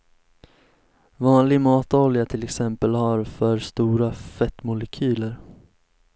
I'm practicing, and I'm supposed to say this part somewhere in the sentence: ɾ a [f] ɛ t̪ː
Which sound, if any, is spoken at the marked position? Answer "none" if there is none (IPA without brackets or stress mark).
f